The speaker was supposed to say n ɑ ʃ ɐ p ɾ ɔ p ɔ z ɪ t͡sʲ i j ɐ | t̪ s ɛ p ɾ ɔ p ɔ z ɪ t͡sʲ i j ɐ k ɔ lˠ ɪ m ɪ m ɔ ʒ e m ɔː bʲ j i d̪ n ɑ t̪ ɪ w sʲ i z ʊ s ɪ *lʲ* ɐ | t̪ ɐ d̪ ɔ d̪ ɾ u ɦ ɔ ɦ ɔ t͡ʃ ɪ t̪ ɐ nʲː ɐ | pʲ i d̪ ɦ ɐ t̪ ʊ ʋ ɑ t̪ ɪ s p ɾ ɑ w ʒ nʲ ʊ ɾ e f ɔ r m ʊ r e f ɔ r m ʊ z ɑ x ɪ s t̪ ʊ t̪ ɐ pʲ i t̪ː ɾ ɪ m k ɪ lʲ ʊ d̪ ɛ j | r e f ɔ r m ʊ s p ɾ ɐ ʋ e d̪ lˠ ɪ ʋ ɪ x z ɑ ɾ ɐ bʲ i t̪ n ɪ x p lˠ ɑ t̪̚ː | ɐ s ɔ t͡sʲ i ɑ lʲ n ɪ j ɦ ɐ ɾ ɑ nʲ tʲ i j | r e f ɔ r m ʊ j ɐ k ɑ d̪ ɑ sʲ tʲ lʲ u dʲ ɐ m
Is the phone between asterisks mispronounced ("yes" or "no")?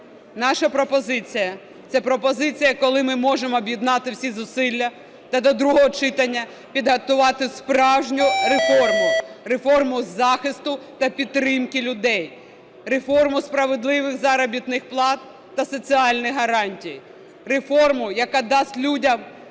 yes